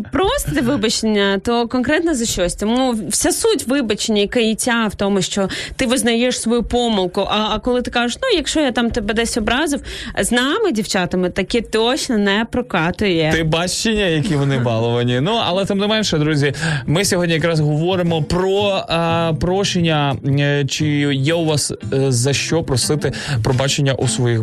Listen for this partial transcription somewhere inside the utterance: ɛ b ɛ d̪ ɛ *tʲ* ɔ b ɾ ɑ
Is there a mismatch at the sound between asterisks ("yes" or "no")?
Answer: yes